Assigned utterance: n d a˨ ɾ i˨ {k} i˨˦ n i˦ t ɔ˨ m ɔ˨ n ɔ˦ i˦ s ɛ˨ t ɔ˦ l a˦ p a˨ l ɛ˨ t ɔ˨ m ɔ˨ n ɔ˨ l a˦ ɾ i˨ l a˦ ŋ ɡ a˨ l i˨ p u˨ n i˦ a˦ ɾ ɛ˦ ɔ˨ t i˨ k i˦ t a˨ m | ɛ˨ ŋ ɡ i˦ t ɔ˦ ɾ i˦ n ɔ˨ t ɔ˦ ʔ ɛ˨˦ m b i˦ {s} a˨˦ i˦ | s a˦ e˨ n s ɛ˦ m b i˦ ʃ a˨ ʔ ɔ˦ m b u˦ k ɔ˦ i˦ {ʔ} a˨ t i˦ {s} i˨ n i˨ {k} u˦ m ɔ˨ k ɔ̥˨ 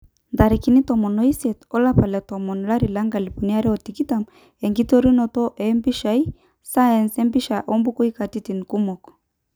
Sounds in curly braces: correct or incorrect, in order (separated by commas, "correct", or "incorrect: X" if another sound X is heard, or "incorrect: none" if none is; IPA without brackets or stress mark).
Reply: correct, incorrect: ʃ, incorrect: k, incorrect: t, correct